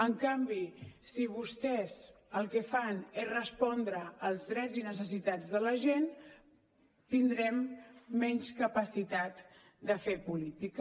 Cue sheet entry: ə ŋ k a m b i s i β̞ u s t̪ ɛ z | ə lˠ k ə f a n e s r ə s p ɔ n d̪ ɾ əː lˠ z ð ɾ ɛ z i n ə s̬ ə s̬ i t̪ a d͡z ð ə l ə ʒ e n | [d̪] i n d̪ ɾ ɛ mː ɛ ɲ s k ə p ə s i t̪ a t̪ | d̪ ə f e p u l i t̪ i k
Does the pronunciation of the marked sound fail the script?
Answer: yes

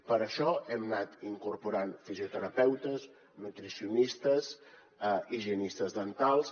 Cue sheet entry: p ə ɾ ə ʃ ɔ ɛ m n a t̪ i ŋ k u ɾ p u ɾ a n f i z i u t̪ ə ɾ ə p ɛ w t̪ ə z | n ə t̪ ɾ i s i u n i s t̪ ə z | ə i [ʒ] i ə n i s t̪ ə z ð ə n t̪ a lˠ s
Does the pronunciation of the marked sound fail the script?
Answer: no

